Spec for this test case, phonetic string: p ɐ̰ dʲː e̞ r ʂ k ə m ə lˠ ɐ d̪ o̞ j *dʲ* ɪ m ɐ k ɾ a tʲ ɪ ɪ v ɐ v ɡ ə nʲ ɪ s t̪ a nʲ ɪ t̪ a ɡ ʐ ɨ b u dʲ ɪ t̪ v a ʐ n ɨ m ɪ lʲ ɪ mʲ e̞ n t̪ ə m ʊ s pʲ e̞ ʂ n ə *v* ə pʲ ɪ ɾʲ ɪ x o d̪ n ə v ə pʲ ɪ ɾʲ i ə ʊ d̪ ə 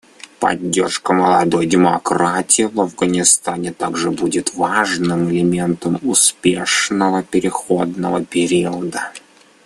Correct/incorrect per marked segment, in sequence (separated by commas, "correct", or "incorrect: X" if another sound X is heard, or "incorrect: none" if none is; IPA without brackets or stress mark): correct, correct